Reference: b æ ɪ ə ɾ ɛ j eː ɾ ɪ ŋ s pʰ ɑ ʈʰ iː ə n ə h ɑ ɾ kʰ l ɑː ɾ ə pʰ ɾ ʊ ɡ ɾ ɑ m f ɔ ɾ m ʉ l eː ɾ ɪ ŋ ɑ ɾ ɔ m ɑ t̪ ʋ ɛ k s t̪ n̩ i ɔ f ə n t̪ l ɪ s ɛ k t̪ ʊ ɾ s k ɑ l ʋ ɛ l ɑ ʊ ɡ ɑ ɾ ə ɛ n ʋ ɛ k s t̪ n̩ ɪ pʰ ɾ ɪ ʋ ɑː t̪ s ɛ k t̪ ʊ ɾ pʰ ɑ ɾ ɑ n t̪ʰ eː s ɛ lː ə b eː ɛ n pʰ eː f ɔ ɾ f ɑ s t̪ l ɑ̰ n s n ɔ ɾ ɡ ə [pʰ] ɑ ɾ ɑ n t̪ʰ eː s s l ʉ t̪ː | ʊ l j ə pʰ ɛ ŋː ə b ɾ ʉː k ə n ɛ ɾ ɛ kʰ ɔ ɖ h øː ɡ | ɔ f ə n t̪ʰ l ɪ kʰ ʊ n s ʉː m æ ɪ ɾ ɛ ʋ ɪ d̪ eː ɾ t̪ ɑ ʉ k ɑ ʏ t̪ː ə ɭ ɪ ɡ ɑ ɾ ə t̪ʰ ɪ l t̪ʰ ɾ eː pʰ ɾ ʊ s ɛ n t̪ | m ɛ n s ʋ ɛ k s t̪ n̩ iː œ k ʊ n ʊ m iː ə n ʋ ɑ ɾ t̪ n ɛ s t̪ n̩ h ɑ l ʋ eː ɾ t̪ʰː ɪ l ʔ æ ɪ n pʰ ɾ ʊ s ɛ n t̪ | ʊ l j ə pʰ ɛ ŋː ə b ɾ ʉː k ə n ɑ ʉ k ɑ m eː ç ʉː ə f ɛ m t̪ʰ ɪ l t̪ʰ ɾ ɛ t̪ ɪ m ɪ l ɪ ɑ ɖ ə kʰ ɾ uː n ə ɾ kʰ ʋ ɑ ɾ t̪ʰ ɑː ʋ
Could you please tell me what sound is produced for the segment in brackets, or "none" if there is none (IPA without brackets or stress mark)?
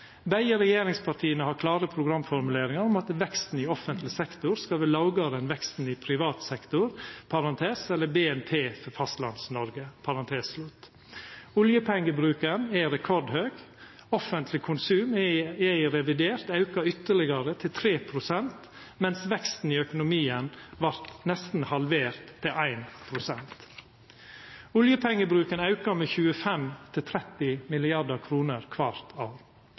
pʰ